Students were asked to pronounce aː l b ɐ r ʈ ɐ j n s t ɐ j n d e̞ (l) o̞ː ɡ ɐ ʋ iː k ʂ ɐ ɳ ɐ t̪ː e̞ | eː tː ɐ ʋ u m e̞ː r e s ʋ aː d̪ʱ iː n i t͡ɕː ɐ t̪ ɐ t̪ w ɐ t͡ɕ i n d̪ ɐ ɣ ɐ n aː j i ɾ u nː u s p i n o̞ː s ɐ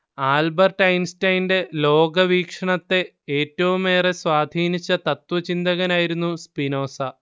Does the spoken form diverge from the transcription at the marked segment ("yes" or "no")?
no